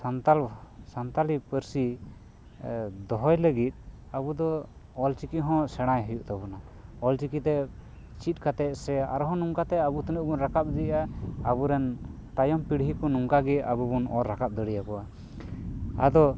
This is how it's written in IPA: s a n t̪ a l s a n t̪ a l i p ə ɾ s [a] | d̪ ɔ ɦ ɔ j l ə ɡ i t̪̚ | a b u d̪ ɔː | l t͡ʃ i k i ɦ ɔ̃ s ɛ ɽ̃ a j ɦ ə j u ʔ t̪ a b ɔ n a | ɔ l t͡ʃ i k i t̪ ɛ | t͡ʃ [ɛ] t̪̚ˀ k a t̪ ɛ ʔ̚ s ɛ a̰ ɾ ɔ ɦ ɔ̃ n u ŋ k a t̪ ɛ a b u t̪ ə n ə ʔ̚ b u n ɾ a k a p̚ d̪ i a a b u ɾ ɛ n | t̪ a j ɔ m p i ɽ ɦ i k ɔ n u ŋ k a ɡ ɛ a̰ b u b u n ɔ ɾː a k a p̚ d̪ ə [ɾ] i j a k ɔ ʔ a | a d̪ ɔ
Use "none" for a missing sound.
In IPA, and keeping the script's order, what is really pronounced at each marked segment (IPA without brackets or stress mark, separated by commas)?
i, i, ɽ